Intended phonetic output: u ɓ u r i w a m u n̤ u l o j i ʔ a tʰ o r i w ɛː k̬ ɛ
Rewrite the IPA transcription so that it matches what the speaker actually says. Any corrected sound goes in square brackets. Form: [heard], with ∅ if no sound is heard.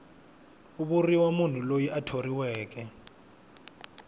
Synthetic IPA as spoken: u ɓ u r i w a m u n̤ u l o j i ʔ a tʰ o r i w ɛː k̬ ɛ